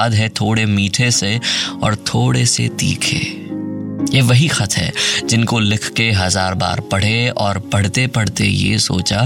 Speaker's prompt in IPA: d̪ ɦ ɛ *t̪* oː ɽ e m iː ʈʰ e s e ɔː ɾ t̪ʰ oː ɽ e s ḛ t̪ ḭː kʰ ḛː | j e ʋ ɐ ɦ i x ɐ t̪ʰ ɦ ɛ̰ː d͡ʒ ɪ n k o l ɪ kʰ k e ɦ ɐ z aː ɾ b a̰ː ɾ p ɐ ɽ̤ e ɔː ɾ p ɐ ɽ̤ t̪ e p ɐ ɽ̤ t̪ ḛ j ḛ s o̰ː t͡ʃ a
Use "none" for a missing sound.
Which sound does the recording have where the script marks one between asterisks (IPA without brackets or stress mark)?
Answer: t̪ʰ